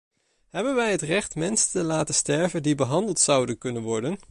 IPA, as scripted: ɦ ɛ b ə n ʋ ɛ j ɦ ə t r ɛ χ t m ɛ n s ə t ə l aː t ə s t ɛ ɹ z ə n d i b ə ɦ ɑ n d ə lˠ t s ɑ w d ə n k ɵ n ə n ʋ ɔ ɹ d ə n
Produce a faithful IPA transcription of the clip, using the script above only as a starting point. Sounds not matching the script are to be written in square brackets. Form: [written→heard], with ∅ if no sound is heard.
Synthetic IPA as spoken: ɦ ɛ b ə n ʋ ɛ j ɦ ə t r ɛ χ t m ɛ n s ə t ə l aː t ə s t ɛ ɹ [z→v] ə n d i b ə ɦ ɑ n d ə lˠ t s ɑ w d ə n k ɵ n ə n ʋ ɔ ɹ d ə n